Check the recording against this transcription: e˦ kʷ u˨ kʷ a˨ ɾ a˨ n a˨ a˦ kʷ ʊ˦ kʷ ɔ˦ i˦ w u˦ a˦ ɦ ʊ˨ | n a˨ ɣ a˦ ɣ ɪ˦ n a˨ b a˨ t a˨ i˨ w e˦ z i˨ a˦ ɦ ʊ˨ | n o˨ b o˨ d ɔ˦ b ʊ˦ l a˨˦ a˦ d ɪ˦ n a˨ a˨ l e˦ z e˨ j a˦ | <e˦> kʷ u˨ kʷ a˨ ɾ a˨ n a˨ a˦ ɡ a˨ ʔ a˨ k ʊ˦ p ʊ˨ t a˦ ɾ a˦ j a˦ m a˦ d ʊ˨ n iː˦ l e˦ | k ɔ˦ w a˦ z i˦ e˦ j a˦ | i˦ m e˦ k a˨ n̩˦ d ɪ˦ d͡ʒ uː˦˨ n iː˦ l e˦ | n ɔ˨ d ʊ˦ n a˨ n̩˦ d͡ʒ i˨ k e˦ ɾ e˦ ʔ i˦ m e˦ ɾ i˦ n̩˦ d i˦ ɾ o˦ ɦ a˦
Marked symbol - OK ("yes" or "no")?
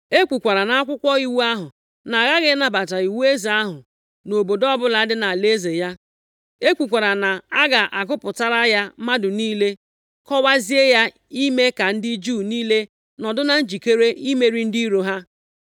yes